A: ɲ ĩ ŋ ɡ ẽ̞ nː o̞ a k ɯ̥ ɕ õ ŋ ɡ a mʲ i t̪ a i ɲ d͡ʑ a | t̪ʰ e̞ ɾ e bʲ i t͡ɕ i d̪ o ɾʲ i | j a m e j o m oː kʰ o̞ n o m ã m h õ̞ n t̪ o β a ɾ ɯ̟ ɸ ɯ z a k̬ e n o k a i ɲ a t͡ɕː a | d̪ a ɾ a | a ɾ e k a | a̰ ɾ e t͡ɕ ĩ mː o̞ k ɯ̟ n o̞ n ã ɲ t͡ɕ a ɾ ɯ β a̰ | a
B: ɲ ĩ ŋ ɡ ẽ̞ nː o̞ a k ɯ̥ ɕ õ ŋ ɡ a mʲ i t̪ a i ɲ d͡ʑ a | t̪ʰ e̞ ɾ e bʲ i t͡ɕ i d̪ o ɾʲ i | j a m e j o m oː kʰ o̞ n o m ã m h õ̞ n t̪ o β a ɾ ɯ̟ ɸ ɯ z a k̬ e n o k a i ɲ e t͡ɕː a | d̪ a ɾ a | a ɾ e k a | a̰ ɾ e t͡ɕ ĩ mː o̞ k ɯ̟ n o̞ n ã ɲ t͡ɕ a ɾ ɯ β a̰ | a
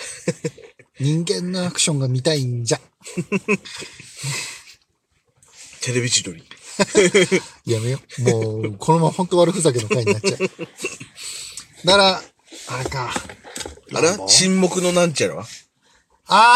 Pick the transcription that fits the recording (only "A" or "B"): A